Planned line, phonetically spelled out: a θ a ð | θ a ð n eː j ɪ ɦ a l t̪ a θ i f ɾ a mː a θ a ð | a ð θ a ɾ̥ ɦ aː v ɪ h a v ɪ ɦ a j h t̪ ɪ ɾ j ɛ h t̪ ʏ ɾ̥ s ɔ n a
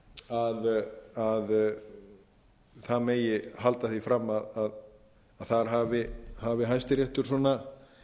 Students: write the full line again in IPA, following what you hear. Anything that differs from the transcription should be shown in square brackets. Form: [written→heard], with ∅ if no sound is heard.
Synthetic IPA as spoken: a [θ→ð] a ð | θ a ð [n→m] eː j ɪ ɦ a l t̪ a θ i f ɾ a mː a [θ→ð] a ð | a ð θ a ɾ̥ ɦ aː v ɪ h a v ɪ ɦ a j [h→s] t̪ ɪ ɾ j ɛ h t̪ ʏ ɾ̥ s ɔ n a